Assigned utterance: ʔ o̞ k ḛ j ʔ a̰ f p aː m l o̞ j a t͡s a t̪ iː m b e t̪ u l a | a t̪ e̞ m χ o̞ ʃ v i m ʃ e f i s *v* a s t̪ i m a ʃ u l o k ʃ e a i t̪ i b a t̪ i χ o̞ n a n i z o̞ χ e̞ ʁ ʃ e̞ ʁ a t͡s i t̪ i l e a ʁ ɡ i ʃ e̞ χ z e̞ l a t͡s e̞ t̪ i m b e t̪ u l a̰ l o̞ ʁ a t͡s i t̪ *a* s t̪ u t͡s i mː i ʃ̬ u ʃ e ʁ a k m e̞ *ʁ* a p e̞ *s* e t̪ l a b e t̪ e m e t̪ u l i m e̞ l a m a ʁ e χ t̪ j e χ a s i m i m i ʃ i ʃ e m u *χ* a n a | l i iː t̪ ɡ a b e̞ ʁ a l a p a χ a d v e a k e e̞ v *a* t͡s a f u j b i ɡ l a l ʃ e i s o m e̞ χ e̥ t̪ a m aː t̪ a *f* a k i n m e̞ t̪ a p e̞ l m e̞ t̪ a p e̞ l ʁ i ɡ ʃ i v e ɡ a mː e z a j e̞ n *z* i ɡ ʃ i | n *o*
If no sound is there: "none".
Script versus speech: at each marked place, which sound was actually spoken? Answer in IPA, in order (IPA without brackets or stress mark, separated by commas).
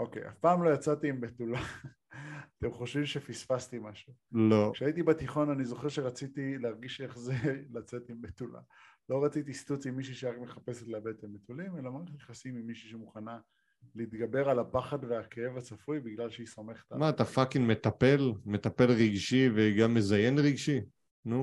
f, i, χ, s, χ, a, f, ʁ, u